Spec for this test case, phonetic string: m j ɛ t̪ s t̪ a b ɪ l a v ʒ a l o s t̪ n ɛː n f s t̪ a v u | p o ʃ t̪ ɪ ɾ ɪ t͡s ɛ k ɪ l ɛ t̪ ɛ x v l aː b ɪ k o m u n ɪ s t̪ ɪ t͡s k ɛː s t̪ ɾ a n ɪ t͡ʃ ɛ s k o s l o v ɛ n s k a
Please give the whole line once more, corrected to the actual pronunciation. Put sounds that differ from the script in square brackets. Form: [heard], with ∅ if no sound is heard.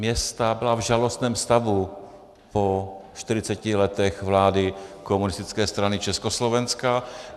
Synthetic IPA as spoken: m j ɛ [∅] s t̪ a b ɪ l a v ʒ a l o s t̪ n ɛː [m] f s t̪ a v u | p o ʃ t̪ ɪ ɾ ɪ t͡s ɛ [c] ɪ l ɛ t̪ ɛ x v l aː [d] ɪ k o m u n ɪ s t̪ ɪ t͡s k ɛː s t̪ ɾ a n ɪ t͡ʃ ɛ s k o s l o v ɛ n s k a